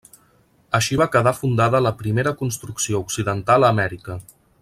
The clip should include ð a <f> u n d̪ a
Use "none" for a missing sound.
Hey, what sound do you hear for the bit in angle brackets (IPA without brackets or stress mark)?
f